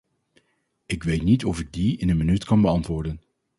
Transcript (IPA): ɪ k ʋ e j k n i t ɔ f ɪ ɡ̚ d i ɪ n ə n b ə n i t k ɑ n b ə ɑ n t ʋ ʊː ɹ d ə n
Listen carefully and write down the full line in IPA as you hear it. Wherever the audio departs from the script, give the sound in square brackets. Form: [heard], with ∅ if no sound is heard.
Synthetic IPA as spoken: ɪ k ʋ e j [t] n i t ɔ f ɪ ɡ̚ d i ɪ n ə n [m] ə n [y] t k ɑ n b ə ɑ n t ʋ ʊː ɹ d ə n